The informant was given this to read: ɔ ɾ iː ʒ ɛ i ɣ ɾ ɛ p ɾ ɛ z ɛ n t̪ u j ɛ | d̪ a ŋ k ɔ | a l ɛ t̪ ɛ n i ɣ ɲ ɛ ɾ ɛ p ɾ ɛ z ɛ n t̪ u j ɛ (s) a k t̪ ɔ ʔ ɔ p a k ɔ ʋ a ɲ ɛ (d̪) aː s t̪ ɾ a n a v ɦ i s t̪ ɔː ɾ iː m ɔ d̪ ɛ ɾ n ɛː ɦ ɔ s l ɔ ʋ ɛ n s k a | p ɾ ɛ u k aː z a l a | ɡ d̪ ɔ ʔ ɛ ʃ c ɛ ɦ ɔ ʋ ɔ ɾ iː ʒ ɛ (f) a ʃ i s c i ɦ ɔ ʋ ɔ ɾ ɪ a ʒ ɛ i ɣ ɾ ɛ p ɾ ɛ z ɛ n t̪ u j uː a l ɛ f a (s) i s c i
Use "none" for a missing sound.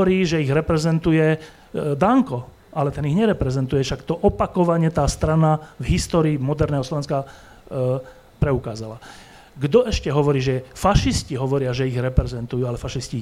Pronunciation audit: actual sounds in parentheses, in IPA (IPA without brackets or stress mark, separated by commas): ʃ, t̪, f, ʃ